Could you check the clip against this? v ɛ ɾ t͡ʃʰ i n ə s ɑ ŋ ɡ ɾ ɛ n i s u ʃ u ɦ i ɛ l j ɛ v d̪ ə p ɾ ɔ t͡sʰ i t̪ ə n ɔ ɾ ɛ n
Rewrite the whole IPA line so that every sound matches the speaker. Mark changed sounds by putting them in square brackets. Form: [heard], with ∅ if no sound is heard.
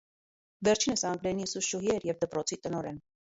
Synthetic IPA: v ɛ ɾ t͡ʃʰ i n ə s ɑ ŋ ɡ ɾ ɛ n i s u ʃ u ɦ i ɛ [ɾ] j ɛ v d̪ ə p ɾ ɔ t͡sʰ i t̪ ə n ɔ ɾ ɛ n

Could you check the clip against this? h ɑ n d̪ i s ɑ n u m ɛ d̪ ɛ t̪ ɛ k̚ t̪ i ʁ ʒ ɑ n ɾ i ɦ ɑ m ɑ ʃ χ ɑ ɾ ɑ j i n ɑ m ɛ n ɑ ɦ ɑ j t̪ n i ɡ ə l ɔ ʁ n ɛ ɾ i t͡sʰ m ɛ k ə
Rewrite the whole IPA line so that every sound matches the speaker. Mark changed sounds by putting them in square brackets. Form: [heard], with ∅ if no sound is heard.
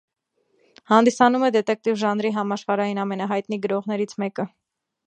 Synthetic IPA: h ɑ n d̪ i s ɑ n u m ɛ d̪ ɛ t̪ ɛ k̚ t̪ i [v] ʒ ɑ n ɾ i ɦ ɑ m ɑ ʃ χ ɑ ɾ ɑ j i n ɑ m ɛ n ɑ ɦ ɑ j t̪ n i ɡ ə [ɾ] ɔ ʁ n ɛ ɾ i t͡sʰ m ɛ k ə

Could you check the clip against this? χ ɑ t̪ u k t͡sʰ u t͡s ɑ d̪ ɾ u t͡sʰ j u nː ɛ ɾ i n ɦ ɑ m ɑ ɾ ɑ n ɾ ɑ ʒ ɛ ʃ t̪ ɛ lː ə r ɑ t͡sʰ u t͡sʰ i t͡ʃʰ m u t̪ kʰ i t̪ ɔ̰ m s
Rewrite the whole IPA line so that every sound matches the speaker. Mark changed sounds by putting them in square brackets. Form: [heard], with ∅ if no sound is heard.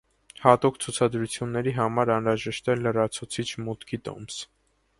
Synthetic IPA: [h] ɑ t̪ u k t͡sʰ u [t͡sʰ] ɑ d̪ ɾ u t͡sʰ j u nː ɛ ɾ i [∅] ɦ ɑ m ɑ ɾ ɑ n ɾ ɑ ʒ ɛ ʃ t̪ ɛ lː ə r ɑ t͡sʰ u t͡sʰ i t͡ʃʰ m u t̪ kʰ i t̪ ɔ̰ m s

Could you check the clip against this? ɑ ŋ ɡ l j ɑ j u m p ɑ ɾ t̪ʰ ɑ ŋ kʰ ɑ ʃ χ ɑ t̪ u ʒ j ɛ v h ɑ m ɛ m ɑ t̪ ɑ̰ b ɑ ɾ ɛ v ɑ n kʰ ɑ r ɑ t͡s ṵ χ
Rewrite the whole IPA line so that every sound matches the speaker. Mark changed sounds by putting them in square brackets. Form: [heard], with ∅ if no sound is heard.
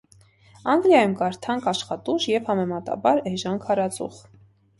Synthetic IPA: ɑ ŋ ɡ l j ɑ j u m [k] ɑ ɾ t̪ʰ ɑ ŋ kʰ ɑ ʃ χ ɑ t̪ u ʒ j ɛ v h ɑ m ɛ m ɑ t̪ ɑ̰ b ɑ ɾ ɛ [ʒ] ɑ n kʰ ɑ [ɾ] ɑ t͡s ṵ χ

